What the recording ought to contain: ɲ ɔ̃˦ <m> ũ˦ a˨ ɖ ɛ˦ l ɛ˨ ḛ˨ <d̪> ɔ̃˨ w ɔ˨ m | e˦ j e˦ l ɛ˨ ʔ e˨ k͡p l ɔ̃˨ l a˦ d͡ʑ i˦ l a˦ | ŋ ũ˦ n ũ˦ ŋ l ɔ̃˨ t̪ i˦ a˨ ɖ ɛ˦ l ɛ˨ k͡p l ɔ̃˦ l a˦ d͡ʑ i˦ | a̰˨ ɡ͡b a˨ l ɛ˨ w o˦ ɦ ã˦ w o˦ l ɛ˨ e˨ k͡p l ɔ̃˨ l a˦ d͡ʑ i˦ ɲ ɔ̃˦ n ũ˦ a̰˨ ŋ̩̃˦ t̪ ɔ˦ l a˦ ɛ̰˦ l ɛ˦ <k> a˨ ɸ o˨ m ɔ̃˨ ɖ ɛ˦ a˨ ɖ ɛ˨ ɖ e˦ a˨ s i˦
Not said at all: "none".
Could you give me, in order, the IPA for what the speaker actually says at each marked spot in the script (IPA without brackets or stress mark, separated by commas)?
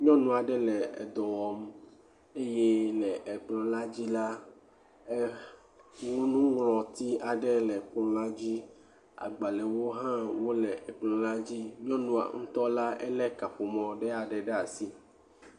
n, d̪, k